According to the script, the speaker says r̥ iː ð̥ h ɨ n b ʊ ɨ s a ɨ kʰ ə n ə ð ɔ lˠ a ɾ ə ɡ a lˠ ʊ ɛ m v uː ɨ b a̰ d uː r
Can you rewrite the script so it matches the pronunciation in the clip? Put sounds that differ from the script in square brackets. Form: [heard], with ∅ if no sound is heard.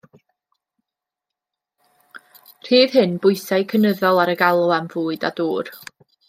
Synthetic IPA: r̥ iː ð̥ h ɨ n b ʊ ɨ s a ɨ kʰ ə n ə ð ɔ lˠ a ɾ ə ɡ a lˠ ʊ [a] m v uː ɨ [d] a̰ d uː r